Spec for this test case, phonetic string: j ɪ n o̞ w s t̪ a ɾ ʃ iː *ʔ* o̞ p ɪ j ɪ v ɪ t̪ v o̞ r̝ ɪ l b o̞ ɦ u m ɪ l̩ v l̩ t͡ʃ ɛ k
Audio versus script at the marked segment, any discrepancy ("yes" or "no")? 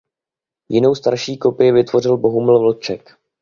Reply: yes